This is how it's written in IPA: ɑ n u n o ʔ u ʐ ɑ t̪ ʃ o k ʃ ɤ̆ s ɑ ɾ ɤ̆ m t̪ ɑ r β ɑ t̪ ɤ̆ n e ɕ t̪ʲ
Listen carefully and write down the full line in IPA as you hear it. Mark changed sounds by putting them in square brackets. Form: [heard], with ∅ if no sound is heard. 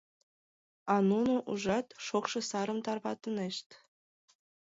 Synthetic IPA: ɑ n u n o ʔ u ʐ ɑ t̪ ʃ o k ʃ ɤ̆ s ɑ ɾ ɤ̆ m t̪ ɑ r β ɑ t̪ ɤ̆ n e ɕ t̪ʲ